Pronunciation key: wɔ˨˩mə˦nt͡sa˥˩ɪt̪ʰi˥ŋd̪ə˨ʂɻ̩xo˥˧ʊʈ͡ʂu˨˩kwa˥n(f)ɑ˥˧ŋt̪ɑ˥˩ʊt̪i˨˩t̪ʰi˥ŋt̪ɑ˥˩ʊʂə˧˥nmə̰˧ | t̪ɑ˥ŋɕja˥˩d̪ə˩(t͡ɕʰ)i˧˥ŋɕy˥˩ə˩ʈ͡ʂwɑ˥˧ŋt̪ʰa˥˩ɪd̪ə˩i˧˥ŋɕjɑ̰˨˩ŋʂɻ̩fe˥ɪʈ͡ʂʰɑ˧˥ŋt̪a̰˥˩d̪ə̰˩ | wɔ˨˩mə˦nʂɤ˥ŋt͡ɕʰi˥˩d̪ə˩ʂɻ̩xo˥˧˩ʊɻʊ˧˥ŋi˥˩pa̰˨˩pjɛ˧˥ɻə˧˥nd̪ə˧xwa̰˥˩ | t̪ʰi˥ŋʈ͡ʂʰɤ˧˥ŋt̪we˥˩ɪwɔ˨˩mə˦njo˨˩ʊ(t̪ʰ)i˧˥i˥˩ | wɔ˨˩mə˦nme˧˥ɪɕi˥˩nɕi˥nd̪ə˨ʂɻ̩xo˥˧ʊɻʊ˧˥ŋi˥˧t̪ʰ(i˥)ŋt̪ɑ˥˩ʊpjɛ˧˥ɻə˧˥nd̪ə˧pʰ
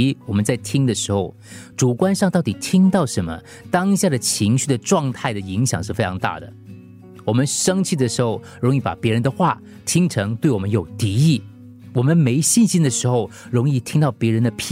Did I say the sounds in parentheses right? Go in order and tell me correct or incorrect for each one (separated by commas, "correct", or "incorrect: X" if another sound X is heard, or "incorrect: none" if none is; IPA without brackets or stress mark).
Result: incorrect: ʂ, correct, incorrect: t̪, correct